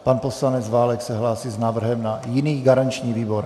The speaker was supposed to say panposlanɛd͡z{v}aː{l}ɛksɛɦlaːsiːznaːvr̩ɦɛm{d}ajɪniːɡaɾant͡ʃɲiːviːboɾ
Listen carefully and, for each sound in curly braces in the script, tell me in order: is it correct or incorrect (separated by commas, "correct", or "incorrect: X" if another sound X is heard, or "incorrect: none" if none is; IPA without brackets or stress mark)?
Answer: correct, correct, incorrect: n